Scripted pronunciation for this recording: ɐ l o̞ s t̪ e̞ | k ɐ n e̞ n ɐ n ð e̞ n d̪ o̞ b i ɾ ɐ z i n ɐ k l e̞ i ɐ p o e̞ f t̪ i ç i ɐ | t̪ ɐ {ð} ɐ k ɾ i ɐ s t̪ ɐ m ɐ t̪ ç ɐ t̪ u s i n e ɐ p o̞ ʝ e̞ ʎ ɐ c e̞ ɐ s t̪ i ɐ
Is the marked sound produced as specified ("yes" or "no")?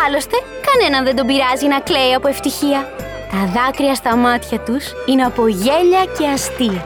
yes